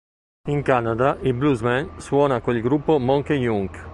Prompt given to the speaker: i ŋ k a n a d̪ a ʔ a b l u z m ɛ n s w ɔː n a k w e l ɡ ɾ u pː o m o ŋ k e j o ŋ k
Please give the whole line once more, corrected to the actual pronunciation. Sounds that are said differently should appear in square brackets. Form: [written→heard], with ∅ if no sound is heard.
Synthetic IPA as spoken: i ŋ k a n a d̪ a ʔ [a→i] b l u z m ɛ n s w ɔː n a k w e l ɡ ɾ u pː o m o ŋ k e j [o→u] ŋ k